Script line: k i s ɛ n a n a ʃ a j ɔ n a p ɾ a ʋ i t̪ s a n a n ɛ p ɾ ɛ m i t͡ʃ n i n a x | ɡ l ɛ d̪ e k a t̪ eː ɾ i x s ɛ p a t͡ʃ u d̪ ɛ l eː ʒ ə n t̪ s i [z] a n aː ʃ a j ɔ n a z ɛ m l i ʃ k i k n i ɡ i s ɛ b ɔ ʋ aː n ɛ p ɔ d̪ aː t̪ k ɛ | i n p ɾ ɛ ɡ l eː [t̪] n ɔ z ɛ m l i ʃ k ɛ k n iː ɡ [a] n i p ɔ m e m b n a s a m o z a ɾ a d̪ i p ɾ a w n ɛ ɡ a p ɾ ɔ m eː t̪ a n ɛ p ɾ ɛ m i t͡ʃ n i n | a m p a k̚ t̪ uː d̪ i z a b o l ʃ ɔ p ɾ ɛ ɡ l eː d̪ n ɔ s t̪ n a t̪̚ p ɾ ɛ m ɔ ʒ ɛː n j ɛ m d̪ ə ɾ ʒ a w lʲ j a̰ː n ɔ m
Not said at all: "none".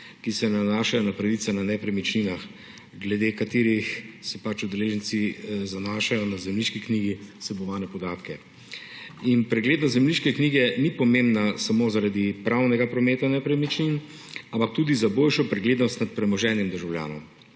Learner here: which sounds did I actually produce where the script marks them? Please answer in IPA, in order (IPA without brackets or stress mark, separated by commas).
z, d̪, ɛ